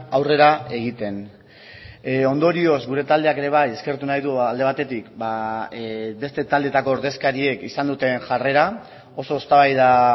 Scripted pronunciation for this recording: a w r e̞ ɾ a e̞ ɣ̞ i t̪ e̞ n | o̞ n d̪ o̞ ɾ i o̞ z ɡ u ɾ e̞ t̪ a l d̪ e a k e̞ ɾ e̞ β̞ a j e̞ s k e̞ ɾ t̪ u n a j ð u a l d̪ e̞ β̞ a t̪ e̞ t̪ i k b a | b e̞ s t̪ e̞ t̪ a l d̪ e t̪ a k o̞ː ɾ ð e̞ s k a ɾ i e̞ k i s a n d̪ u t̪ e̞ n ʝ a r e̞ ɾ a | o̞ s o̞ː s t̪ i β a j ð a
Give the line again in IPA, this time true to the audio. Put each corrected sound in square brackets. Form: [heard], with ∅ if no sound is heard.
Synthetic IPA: a w r e̞ ɾ a e̞ ɣ̞ i t̪ e̞ n | o̞ n d̪ o̞ ɾ i o̞ z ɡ u ɾ e̞ t̪ a l d̪ e a k e̞ ɾ e̞ β̞ a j e̞ s k e̞ ɾ t̪ u n a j ð u a l d̪ e̞ β̞ a t̪ e̞ t̪ i k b a | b e̞ s t̪ e̞ t̪ a l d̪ e t̪ a k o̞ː ɾ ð e̞ s k a ɾ i e̞ k i s a n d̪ u t̪ e̞ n ʝ a r e̞ ɾ a | o̞ s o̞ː s t̪ [a] β a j ð a